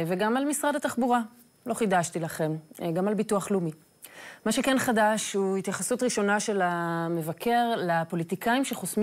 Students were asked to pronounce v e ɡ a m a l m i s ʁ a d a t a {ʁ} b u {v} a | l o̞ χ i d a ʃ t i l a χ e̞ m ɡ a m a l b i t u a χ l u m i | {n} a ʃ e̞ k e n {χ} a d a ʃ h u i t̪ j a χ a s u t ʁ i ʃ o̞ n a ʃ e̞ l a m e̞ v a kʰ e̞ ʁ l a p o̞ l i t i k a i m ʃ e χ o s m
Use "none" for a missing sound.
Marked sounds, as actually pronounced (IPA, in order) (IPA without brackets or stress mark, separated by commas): χ, ʁ, m, χ